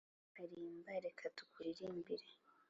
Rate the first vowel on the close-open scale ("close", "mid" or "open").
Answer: open